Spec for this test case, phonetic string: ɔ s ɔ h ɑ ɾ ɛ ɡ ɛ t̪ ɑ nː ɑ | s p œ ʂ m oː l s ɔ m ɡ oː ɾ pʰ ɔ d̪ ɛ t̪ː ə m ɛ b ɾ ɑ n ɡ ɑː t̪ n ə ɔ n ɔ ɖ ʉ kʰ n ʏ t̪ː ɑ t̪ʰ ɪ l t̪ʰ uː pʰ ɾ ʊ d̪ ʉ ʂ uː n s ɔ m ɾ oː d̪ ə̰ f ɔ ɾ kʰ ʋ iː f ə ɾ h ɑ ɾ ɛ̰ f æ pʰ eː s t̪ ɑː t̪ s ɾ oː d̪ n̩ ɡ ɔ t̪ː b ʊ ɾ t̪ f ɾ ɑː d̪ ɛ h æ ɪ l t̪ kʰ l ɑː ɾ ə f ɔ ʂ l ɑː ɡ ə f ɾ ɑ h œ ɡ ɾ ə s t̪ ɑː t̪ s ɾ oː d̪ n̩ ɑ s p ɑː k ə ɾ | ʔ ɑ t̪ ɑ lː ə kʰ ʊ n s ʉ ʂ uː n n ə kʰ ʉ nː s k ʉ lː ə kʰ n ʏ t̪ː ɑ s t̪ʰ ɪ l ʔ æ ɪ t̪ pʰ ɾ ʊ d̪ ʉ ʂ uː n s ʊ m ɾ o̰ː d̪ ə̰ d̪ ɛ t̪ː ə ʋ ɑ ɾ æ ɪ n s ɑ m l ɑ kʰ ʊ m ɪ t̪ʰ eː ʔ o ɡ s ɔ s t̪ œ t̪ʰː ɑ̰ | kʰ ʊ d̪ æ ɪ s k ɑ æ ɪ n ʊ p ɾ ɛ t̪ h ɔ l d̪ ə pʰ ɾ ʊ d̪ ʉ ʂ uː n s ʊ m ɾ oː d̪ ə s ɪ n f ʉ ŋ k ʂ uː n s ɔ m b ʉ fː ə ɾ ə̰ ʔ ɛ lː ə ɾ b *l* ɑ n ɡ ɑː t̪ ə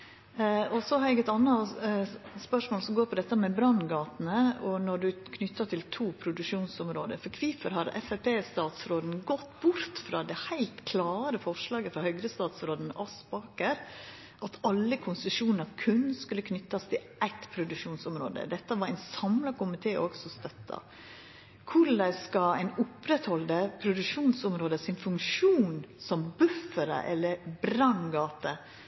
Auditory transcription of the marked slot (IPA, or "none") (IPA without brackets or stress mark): ɾ